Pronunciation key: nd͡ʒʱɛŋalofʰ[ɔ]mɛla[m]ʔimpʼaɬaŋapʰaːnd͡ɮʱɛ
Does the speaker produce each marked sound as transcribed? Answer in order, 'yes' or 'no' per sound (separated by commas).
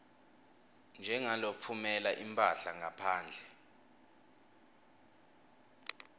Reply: no, no